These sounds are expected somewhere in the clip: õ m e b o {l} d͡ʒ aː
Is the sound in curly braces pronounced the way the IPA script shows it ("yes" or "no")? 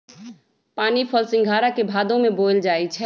yes